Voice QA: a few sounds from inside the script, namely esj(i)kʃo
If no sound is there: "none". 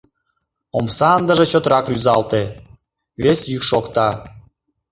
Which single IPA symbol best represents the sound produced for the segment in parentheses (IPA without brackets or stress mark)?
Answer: y